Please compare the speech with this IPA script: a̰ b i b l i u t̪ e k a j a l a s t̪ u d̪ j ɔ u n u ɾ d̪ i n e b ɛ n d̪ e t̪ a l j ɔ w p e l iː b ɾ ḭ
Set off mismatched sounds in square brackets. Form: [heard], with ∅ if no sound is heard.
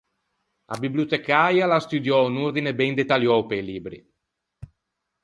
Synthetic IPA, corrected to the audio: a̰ b i b l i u t̪ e k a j a l a s t̪ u d̪ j ɔ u n u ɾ d̪ i n e b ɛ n d̪ e t̪ a l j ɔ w p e l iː b ɾ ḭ